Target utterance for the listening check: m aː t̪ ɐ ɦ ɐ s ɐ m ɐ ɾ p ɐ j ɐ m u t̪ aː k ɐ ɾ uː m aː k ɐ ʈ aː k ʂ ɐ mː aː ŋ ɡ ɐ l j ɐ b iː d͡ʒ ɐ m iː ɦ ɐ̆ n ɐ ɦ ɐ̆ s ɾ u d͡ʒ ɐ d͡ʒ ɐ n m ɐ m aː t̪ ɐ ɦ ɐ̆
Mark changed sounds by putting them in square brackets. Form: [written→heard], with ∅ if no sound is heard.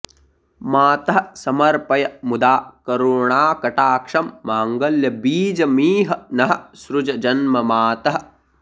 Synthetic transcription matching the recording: m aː t̪ ɐ ɦ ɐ s ɐ m ɐ ɾ p ɐ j ɐ m u [t̪→d̪] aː k ɐ ɾ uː [m→ɳ] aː k ɐ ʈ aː k ʂ ɐ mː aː ŋ ɡ ɐ l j ɐ b iː d͡ʒ ɐ m iː ɦ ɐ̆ n ɐ ɦ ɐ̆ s ɾ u d͡ʒ ɐ d͡ʒ ɐ n m ɐ m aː t̪ ɐ ɦ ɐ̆